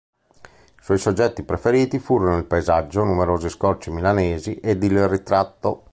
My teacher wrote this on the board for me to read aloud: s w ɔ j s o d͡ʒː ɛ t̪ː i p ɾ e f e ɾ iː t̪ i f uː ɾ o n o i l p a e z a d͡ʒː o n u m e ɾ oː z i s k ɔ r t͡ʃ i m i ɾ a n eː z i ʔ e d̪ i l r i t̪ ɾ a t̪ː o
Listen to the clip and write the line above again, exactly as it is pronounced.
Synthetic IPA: s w ɔ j s o d͡ʒː ɛ t̪ː i p ɾ e f e ɾ iː t̪ i f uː ɾ o n o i l p a e z a d͡ʒː o n u m e ɾ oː z i s k ɔ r t͡ʃ i m i l a n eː z i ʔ e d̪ i l r i t̪ ɾ a t̪ː o